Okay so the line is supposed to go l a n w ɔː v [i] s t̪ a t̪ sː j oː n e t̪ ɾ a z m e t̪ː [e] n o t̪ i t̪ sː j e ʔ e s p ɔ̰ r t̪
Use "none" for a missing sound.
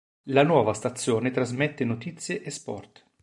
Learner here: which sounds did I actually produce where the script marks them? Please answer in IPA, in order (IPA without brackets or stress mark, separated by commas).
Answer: a, e